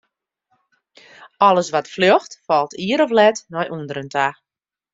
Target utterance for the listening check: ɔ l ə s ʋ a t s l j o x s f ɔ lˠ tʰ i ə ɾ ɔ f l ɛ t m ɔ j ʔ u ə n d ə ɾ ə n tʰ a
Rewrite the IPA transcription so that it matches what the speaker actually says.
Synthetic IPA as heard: ɔ l ə s ʋ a t f l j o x t f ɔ lˠ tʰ i ə ɾ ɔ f l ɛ t n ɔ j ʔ u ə n d ə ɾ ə n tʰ a